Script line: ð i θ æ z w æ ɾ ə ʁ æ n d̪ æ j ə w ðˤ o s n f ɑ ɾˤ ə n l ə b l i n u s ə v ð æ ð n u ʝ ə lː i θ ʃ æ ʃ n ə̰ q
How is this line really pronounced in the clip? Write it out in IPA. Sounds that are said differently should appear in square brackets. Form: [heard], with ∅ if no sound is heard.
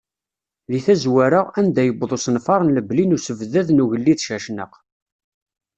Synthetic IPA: ð i θ æ z w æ ɾ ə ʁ æ n d̪ æ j ə [b] ðˤ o s n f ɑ ɾˤ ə n l ə b l i n u s ə v ð æ ð n u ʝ ə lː i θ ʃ æ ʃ n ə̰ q